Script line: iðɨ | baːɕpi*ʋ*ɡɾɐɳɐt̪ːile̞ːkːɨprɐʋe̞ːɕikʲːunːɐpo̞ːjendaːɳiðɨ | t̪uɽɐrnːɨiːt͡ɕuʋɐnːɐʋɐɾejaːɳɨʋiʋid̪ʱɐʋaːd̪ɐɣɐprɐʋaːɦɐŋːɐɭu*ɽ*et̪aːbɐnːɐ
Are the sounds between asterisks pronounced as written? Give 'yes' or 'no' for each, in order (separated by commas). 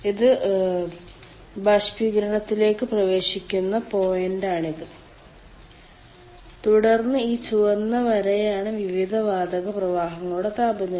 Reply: no, yes